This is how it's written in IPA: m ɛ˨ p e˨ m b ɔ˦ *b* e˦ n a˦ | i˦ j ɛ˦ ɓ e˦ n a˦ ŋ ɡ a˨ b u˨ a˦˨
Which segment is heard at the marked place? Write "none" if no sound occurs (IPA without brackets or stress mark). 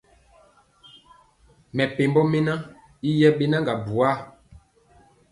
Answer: m